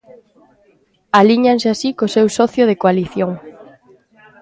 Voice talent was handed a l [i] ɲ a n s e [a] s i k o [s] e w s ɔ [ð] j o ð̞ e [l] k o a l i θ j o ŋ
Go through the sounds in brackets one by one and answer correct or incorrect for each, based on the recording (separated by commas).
correct, correct, correct, incorrect, incorrect